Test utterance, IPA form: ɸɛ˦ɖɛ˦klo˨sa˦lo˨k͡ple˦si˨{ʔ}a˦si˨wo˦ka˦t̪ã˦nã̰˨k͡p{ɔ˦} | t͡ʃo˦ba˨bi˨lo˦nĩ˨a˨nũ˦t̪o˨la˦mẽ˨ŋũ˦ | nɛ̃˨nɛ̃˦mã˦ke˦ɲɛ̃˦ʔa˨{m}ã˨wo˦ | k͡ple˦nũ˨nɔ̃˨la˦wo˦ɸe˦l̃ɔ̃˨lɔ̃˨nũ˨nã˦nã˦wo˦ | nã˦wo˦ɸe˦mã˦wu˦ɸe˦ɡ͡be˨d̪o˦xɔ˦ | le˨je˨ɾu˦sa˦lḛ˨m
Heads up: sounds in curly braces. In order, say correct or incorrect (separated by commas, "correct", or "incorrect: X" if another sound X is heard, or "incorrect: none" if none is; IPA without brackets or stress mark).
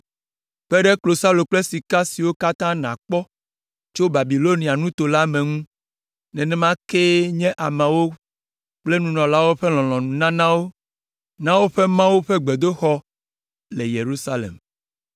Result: incorrect: k, correct, correct